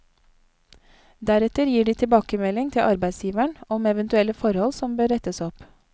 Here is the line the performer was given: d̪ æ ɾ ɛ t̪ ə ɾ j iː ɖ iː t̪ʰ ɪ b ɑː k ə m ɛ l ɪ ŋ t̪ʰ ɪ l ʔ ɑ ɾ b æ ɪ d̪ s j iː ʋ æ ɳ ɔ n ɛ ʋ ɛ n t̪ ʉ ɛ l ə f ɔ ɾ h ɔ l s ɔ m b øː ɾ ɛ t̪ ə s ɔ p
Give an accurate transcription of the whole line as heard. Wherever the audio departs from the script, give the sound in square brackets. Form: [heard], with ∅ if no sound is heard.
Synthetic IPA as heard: d̪ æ ɾ ɛ t̪ ə ɾ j iː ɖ iː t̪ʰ ɪ b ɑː k ə m ɛ l ɪ ŋ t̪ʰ ɪ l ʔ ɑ ɾ b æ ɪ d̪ s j iː ʋ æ ɳ ɔ [m] ɛ ʋ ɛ n t̪ ʉ ɛ l ə f ɔ ɾ h ɔ l s ɔ m b øː ɾ ɛ t̪ ə s ɔ p